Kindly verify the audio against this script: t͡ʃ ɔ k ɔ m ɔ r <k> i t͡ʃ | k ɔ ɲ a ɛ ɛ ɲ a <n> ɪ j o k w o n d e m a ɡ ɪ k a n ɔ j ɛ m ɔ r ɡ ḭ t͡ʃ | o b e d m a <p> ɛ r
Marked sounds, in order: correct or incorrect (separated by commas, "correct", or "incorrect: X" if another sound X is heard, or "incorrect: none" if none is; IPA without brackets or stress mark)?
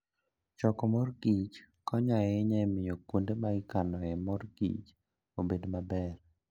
incorrect: ɡ, incorrect: m, incorrect: b